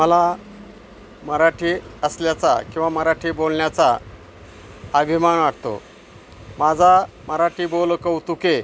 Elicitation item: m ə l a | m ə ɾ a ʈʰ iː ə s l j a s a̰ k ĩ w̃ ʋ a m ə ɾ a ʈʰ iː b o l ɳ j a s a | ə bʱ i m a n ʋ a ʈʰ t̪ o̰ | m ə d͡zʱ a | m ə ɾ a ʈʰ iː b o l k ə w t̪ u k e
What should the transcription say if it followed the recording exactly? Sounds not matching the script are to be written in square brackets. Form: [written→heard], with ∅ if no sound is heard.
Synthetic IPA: m ə l a | m ə ɾ a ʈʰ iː ə s l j a [s→t͡s] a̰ k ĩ w̃ ʋ a m ə ɾ a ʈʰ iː b o l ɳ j a [s→t͡s] a | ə bʱ i m a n ʋ a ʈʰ t̪ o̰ | m [ə→a] d͡zʱ a | m ə ɾ a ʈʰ iː b o l k ə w t̪ u k e

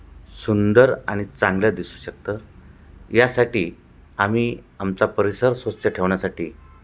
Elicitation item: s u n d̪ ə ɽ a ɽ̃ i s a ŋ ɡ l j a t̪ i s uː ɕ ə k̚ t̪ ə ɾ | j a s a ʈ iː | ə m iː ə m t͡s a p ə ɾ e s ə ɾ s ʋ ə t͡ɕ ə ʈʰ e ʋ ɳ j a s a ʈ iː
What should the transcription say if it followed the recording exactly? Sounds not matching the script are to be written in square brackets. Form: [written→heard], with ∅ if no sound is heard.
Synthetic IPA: s u n d̪ ə [ɽ→ɾ] a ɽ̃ i [s→t͡s] a ŋ ɡ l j a [t̪→d̪] i s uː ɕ ə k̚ t̪ ə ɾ | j a s a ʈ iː | [ə→a] m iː [ə→a] m t͡s a p ə ɾ [e→i] s ə ɾ s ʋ ə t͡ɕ ə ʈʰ e ʋ ɳ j a s a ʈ iː

